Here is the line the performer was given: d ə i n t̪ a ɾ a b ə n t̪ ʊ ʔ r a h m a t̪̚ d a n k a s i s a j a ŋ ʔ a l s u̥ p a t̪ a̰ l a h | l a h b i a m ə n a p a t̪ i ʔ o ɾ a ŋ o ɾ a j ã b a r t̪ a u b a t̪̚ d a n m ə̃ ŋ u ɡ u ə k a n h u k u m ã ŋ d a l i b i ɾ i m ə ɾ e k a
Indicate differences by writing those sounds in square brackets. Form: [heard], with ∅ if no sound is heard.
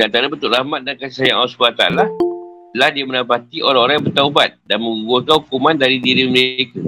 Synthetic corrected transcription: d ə [a] n t̪ a ɾ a b ə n t̪ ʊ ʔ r a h m a t̪̚ d a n k a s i s a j a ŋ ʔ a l s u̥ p a t̪ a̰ l a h | l a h [d] i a m ə n a p a t̪ i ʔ o ɾ a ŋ o ɾ a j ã b [ə] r t̪ a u b a t̪̚ d a n m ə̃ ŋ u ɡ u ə k a n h u k u m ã [n] d a [ɾ] i [d] i ɾ i m ə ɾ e k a